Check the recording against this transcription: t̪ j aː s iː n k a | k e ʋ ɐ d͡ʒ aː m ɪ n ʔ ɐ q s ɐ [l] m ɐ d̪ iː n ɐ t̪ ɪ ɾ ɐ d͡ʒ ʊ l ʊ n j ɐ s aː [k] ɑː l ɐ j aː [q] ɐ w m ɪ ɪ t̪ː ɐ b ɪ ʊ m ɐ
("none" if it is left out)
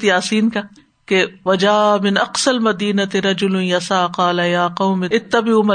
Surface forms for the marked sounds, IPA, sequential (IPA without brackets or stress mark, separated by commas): l, q, q